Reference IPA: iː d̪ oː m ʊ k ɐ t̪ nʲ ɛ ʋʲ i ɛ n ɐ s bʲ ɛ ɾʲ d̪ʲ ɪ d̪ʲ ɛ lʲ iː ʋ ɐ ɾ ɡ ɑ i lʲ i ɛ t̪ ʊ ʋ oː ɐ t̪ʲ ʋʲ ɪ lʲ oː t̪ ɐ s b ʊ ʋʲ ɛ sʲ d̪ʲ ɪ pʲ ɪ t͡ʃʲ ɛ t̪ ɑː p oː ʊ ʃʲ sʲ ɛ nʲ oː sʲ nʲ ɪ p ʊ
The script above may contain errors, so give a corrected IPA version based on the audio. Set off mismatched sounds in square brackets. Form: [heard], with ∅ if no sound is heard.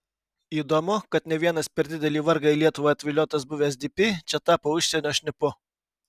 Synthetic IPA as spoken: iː d̪ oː m ʊ k ɐ t̪ nʲ ɛ ʋʲ i ɛ n ɐ s [pʲ] ɛ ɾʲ d̪ʲ ɪ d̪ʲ ɛ lʲ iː ʋ ɐ ɾ ɡ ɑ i lʲ i ɛ t̪ ʊ ʋ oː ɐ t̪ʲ ʋʲ ɪ lʲ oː t̪ ɐ s b ʊ ʋʲ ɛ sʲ d̪ʲ ɪ pʲ ɪ t͡ʃʲ ɛ t̪ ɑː p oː ʊ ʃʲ sʲ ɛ nʲ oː [ʃʲ] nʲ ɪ p ʊ